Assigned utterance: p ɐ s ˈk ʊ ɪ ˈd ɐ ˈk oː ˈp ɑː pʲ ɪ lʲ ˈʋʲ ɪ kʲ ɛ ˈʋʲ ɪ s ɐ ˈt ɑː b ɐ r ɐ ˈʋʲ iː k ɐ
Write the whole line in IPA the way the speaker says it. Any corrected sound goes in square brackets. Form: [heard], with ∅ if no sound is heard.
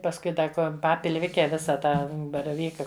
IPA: p ɐ s ˈk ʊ ɪ ˈd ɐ ˈk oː ˈp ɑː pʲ ɪ lʲ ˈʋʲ ɪ kʲ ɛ ˈʋʲ ɪ s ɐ ˈt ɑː b ɐ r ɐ ˈʋʲ iː k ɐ